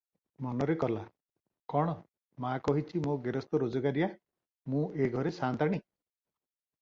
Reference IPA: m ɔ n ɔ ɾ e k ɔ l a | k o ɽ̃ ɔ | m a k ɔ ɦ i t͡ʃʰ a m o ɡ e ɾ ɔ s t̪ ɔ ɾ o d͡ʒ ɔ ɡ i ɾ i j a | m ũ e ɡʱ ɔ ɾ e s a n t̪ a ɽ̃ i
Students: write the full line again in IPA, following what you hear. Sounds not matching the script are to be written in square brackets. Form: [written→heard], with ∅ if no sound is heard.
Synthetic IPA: m ɔ n ɔ ɾ e k ɔ l a | k [o→ɔ] ɽ̃ ɔ | m a k ɔ ɦ i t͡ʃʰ [a→i] m o ɡ e ɾ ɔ s t̪ ɔ ɾ o d͡ʒ ɔ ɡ [i→a] ɾ i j a | m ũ e ɡʱ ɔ ɾ e s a n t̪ a ɽ̃ i